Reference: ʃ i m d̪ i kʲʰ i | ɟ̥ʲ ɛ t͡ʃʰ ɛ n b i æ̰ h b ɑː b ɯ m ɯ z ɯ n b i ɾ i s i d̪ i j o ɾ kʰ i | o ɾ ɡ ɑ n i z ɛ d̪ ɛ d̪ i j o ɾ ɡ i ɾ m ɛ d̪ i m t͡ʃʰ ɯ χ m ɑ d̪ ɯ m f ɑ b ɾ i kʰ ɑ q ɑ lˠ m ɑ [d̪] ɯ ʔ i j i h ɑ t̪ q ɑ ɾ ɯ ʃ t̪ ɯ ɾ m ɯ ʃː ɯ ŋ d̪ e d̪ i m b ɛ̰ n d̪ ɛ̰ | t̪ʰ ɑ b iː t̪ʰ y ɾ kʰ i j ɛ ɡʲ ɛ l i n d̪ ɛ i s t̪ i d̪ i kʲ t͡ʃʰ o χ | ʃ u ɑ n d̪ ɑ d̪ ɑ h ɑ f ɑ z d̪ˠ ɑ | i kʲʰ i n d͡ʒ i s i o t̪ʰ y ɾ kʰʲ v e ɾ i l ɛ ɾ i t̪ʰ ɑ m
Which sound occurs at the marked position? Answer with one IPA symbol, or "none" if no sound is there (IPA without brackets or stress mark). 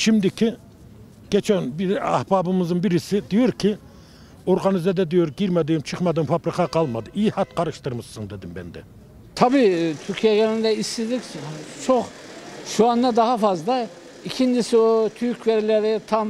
d̪